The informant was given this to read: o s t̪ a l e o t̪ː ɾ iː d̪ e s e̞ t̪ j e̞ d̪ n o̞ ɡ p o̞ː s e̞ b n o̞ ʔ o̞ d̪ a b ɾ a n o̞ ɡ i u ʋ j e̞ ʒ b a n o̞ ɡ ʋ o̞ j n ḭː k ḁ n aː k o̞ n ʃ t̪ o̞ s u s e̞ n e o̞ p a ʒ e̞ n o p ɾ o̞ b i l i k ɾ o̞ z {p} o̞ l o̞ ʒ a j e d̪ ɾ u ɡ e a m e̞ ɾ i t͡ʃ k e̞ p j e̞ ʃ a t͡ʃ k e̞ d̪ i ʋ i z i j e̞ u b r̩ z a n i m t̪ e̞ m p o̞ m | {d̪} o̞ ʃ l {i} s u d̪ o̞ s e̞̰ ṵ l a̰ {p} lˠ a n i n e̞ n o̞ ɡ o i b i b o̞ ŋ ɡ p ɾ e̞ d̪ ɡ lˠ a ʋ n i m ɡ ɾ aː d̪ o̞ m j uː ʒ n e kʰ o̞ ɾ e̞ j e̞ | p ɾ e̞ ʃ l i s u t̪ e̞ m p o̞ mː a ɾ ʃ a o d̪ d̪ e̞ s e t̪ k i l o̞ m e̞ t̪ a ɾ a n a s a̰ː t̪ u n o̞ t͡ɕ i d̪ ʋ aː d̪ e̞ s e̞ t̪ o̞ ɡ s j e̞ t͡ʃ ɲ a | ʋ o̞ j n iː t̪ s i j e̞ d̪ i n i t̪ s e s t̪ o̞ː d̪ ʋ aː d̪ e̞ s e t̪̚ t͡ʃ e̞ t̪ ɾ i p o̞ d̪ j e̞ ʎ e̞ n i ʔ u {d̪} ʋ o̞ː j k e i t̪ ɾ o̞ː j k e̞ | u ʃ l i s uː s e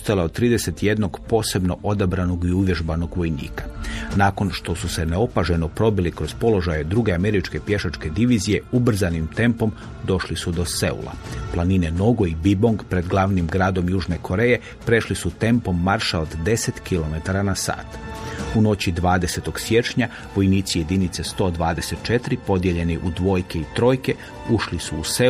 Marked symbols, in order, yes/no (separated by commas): yes, yes, yes, yes, yes